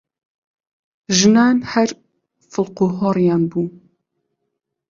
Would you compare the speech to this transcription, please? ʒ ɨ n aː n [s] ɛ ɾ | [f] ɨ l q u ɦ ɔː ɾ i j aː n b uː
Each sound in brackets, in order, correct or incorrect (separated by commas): incorrect, correct